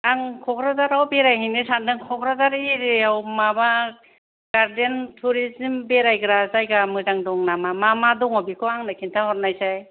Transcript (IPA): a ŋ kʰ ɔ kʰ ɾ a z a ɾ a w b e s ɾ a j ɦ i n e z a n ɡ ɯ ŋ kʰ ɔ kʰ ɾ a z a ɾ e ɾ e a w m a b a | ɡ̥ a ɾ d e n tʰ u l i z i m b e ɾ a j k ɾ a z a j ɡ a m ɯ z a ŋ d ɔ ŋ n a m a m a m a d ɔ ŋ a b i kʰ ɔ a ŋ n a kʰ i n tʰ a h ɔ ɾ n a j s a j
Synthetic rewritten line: a ŋ kʰ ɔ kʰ ɾ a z a ɾ a w b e ɾ a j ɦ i n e s a n d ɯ ŋ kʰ ɔ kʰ ɾ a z a ɾ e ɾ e a w m a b a | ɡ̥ a ɾ d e n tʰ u ɾ i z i m b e ɾ a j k ɾ a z a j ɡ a m ɯ z a ŋ d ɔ ŋ n a m a m a m a d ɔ ŋ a b i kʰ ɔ a ŋ n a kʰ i n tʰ a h ɔ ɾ n a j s a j

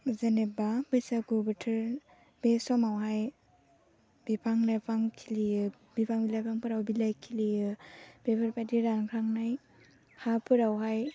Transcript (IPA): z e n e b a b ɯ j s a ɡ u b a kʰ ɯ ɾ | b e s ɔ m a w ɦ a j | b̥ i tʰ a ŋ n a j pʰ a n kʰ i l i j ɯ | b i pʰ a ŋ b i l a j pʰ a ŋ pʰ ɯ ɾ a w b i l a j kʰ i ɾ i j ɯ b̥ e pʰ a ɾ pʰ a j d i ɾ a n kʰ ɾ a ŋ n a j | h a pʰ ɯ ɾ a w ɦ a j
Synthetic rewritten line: z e n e b a b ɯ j s a ɡ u b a tʰ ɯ ɾ | b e s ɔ m a w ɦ a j | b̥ i pʰ a ŋ n a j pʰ a ŋ kʰ i l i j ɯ | b i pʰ a ŋ b i l a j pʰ a ŋ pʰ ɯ ɾ a w b i l a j kʰ i l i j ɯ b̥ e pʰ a ɾ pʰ a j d i ɾ a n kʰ ɾ a ŋ n a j | h a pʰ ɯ ɾ a w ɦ a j

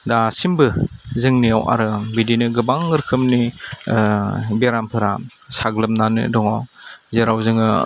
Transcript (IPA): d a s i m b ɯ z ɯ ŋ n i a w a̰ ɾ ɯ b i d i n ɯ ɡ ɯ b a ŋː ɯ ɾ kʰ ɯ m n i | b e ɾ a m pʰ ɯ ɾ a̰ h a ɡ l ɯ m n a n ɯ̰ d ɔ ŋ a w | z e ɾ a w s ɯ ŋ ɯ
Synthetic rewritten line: d a s i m b ɯ z ɯ ŋ n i a w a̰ ɾ ɯ b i d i n ɯ ɡ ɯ b a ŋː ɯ ɾ kʰ ɯ m n i | b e ɾ a m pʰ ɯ ɾ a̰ s a ɡ l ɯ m n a n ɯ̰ d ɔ ŋ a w | z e ɾ a w z ɯ ŋ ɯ

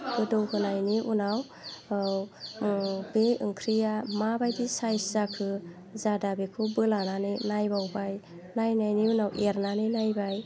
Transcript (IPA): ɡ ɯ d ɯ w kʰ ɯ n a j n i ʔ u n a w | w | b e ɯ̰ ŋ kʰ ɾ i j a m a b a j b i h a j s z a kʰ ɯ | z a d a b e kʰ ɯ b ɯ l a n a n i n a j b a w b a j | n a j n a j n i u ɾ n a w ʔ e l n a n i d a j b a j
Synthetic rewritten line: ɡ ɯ d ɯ w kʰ ɯ n a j n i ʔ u n a w | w | b e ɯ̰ ŋ kʰ ɾ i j a m a b a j d i s a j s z a kʰ ɯ | z a d a b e kʰ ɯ b ɯ l a n a n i n a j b a w b a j | n a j n a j n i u n a w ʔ e ɾ n a n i n a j b a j

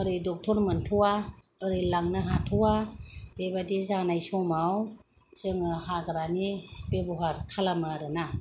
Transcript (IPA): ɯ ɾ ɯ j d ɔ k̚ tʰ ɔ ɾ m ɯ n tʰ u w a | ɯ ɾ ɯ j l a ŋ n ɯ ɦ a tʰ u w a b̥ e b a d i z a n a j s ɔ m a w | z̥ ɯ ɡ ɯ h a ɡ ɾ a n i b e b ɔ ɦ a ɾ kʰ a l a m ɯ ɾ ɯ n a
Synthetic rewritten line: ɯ ɾ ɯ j d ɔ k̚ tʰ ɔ ɾ m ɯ n tʰ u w a | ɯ ɾ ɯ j l a ŋ n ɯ ɦ a tʰ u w a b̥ e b a d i z a n a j s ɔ m a w | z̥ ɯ ŋ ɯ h a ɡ ɾ a n i b e b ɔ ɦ a ɾ kʰ a l a m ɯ ɾ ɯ n a

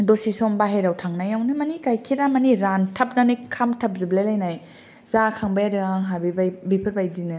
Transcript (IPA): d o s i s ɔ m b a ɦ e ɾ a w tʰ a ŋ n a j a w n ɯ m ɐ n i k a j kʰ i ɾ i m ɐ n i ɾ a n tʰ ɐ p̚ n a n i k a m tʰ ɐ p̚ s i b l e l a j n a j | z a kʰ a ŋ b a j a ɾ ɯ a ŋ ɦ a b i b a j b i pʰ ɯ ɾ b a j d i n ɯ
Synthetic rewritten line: d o s i s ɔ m b a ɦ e ɾ a w tʰ a ŋ n a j a w n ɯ m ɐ n i k a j kʰ i ɾ a m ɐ n i ɾ a n tʰ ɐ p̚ n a n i kʰ a m tʰ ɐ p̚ z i b l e l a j n a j | z a kʰ a ŋ b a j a ɾ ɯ a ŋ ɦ a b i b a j b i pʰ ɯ ɾ b a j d i n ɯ

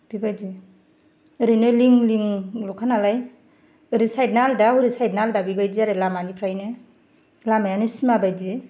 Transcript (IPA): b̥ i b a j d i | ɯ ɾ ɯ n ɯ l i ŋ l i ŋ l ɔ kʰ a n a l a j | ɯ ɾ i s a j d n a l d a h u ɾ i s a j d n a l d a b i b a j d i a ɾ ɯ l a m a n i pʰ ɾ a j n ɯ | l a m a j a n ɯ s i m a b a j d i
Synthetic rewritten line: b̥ i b a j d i | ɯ ɾ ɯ n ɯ l i ŋ l i ŋ l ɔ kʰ a n a l a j | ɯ ɾ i s a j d n a l d a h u ɾ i s a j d n a l d a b i b a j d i a ɾ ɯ l a m a n i pʰ ɾ a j n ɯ | l a m a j a n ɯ s i m a b a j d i

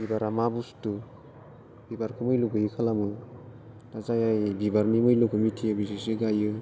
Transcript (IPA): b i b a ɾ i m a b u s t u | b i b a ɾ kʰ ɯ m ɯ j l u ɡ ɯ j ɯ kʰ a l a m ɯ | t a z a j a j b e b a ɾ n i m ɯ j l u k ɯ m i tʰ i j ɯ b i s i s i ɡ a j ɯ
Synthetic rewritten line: b i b a ɾ a m a b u s t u | b i b a ɾ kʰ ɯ m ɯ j l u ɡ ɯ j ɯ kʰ a l a m ɯ | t a z a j a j b i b a ɾ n i m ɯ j l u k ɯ m i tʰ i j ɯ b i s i s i ɡ a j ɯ

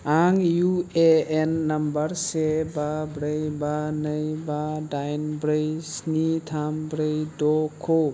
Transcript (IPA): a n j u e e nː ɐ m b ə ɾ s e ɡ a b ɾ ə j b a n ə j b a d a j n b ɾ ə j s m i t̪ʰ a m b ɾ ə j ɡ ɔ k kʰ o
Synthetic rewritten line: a ŋ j u e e nː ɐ m b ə ɾ s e b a b ɾ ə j b a n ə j b a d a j n b ɾ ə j s n i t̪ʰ a m b ɾ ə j d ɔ k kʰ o

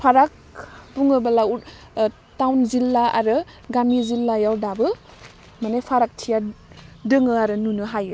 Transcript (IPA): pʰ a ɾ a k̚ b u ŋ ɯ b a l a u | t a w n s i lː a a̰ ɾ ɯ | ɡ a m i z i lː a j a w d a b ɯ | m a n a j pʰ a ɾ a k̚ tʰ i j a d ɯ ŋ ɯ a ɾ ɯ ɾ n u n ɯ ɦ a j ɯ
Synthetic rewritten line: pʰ a ɾ a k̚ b u ŋ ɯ b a l a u | t a w n z i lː a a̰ ɾ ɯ | ɡ a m i z i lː a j a w d a b ɯ | m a n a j pʰ a ɾ a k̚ tʰ i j a d ɯ ŋ ɯ a ɾ ɯ n u n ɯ ɦ a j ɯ

